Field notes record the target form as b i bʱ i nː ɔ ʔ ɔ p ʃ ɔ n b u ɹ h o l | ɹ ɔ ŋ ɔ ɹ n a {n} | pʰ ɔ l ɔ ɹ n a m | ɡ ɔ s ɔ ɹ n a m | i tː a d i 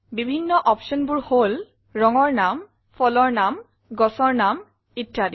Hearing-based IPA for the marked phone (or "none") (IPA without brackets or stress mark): m